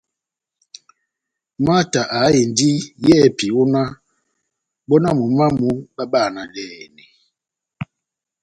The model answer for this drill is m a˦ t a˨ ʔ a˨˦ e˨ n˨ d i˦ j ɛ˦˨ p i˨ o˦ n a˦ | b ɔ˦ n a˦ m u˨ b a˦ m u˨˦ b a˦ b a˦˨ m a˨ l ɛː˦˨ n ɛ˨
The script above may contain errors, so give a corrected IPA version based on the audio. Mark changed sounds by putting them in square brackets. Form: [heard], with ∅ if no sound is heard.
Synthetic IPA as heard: m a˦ t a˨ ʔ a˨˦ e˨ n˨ d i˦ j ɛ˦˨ p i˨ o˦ n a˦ | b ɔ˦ n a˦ m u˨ [m] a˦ m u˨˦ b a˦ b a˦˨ [n] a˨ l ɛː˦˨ n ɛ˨